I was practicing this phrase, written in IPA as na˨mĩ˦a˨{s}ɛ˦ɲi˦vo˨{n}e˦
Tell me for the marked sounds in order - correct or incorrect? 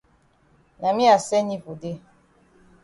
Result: correct, incorrect: d

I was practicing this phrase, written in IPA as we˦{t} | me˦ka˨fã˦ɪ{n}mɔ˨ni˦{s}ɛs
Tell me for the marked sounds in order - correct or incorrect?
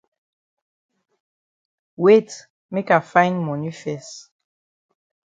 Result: correct, correct, incorrect: f

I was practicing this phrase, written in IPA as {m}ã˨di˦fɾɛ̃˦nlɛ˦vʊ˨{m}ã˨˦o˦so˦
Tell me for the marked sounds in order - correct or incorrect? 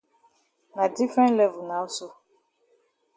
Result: incorrect: n, incorrect: n

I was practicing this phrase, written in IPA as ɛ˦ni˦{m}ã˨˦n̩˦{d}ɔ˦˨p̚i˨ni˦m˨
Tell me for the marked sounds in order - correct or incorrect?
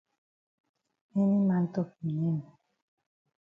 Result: correct, incorrect: t

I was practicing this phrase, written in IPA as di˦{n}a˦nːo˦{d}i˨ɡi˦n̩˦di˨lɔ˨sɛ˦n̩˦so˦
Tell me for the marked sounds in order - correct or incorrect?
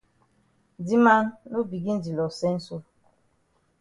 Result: incorrect: m, incorrect: b

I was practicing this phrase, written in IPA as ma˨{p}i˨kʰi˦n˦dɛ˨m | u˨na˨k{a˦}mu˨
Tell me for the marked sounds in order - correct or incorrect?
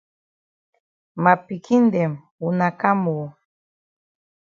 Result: correct, correct

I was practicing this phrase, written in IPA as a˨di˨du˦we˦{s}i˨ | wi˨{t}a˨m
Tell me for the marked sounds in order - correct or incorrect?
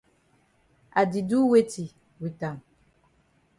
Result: incorrect: t, correct

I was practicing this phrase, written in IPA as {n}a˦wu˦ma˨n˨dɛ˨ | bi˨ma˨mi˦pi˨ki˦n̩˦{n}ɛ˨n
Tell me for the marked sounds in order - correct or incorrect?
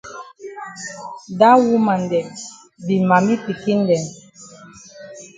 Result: incorrect: d, incorrect: d

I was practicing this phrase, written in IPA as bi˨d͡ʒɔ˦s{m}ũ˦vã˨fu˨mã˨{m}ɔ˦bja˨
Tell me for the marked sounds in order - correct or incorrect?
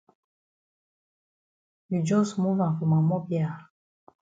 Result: correct, correct

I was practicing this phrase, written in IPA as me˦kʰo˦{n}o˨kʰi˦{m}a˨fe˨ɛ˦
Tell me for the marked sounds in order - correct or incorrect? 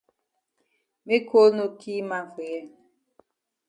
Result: correct, correct

